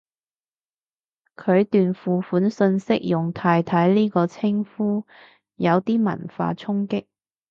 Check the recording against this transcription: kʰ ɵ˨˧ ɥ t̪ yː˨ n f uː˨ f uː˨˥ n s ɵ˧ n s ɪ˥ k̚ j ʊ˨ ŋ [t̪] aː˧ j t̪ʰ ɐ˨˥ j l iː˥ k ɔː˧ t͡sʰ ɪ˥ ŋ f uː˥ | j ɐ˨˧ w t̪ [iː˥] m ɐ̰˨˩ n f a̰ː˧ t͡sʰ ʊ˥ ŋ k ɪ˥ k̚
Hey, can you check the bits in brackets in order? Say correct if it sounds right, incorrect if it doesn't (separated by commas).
incorrect, correct